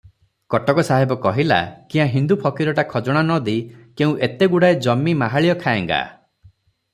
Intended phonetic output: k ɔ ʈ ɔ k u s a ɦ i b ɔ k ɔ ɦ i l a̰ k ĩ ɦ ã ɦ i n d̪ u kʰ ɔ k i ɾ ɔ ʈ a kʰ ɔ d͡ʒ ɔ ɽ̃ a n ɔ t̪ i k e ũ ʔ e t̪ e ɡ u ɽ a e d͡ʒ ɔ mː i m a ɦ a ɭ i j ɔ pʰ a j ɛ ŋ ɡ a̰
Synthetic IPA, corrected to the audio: k ɔ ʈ ɔ k ɔ s a ɦ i b ɔ k ɔ ɦ i l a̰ k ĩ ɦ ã ɦ i n d̪ u pʰ ɔ k i ɾ ɔ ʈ a kʰ ɔ d͡ʒ ɔ ɽ̃ a n ɔ d̪ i k e ũ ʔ e t̪ e ɡ u ɽ a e d͡ʒ ɔ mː i m a ɦ a ɭ i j ɔ kʰ a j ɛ ŋ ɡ a̰